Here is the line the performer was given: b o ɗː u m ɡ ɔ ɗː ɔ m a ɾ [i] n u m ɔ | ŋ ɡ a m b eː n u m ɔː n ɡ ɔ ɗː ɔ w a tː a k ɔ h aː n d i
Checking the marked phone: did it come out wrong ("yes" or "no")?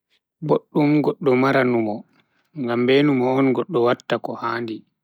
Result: yes